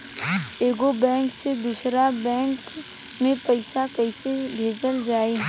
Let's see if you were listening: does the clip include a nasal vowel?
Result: yes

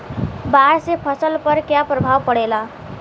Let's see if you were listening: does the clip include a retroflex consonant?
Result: yes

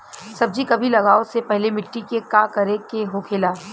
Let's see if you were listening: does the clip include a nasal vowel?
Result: no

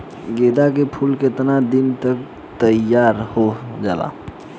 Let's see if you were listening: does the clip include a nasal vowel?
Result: no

